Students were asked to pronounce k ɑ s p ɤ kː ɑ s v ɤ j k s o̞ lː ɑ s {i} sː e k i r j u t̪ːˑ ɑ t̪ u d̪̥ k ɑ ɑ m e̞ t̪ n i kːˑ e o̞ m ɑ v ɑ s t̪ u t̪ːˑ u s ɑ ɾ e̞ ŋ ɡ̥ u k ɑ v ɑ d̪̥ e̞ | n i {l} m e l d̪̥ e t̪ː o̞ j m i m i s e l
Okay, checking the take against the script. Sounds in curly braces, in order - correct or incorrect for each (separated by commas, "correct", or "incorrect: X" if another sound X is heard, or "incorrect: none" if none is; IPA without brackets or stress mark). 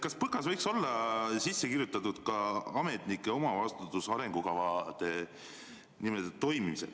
correct, incorrect: none